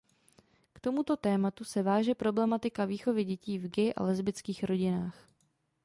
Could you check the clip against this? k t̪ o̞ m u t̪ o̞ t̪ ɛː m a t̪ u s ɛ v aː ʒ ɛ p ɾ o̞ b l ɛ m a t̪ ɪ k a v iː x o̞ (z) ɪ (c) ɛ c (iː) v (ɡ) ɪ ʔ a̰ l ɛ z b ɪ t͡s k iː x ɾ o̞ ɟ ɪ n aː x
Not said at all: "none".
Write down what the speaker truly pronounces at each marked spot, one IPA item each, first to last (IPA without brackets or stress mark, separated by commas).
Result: v, ɟ, iː, ɡ